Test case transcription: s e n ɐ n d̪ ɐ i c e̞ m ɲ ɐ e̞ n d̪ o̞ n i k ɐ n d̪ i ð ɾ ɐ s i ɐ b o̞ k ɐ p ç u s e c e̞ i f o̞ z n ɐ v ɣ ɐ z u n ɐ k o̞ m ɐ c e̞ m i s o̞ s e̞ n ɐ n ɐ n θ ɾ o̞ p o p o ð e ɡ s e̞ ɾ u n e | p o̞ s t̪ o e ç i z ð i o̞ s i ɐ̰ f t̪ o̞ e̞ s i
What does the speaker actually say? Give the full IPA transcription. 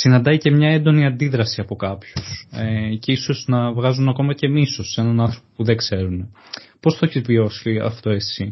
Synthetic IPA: s i n ɐ n d̪ ɐ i c e̞ m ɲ ɐ e̞ n d̪ o̞ n i ɐ n d̪ i ð ɾ ɐ s i ɐ p o̞ k ɐ p ç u s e c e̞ i s o̞ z n ɐ v ɣ ɐ z u n ɐ k o̞ m ɐ c e̞ m i s o̞ s e̞ n ɐ n ɐ n θ ɾ o̞ p o p u ð e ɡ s e̞ ɾ u n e | p o̞ s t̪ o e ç i z v i o̞ s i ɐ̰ f t̪ o̞ e̞ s i